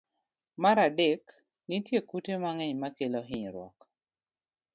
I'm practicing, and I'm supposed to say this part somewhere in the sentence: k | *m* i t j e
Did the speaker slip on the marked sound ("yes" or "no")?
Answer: yes